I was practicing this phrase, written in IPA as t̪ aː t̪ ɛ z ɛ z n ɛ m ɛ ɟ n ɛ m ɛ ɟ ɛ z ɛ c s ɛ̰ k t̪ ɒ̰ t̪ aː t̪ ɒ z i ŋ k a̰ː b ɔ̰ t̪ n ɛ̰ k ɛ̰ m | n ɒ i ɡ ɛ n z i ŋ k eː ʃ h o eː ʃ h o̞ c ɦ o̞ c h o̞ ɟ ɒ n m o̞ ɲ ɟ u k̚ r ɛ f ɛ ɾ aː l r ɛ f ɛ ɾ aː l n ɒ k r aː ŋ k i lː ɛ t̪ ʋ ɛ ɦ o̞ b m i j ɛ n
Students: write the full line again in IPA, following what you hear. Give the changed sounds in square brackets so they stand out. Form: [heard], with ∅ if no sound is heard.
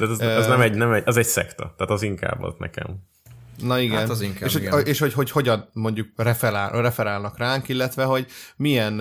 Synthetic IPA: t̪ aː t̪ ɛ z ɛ z n ɛ m ɛ ɟ n ɛ m ɛ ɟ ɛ z ɛ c s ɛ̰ k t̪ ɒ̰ t̪ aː t̪ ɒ z i ŋ k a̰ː b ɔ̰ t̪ n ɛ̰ k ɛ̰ m | n ɒ i ɡ ɛ n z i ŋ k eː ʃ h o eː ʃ h o̞ c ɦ o̞ c h o̞ ɟ ɒ n m o̞ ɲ ɟ u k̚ r ɛ f ɛ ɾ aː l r ɛ f ɛ ɾ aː l n ɒ k r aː ŋ k i lː ɛ t̪ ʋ ɛ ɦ o̞ [ɟ] m i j ɛ n